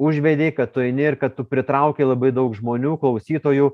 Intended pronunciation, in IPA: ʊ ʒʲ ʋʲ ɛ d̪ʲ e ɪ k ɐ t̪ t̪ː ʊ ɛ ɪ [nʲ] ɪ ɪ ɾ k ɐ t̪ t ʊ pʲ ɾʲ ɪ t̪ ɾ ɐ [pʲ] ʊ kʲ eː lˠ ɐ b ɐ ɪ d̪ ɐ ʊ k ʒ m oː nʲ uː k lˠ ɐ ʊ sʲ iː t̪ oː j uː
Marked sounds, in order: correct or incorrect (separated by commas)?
correct, incorrect